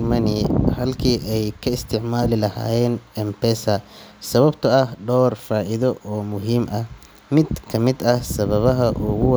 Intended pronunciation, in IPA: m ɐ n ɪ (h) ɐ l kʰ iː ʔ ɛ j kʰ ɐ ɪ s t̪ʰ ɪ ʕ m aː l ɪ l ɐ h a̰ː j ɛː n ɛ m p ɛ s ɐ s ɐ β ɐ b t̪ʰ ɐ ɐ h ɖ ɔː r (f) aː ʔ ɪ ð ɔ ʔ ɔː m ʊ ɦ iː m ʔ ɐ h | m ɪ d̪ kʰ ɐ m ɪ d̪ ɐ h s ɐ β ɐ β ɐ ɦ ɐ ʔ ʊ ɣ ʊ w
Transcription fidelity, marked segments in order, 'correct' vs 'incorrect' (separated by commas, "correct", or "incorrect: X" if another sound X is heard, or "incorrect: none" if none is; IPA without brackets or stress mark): correct, correct